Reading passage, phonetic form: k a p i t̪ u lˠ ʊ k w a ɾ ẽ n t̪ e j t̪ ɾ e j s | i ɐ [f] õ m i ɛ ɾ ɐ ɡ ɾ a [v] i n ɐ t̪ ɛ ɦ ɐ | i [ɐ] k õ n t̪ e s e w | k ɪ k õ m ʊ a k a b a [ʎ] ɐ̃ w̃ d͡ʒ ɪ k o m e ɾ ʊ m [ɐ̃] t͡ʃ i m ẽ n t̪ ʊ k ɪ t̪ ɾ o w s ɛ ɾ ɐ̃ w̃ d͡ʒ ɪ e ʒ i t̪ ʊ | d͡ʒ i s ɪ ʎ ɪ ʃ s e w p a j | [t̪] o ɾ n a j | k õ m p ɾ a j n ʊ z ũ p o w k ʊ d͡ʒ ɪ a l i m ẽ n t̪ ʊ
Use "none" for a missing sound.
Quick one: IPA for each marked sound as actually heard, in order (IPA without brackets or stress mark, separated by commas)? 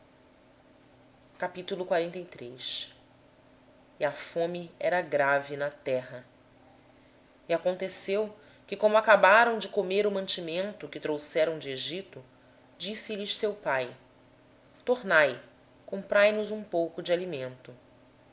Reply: f, v, a, ɾ, ɐ̃, t̪